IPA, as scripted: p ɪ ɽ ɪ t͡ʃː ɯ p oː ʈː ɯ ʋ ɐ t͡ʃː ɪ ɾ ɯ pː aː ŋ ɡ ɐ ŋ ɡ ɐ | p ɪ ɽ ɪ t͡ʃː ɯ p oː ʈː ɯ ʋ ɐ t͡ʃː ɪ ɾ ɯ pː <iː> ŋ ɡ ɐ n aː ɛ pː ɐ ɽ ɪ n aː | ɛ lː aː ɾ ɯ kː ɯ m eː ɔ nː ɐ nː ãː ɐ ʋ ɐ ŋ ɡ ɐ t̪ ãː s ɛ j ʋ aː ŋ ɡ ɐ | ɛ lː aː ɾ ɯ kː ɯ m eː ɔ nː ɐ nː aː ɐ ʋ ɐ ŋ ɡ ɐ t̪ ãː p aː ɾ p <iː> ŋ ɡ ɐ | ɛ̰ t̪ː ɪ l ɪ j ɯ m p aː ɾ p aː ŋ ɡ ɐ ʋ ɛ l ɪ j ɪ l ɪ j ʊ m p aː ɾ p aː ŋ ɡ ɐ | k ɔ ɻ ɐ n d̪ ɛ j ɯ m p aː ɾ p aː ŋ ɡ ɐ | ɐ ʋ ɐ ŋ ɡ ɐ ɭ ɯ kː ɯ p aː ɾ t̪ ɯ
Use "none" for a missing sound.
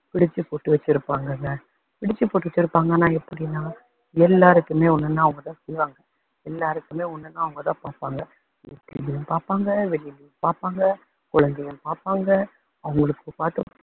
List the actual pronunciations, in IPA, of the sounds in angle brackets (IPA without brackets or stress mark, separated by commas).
aː, aː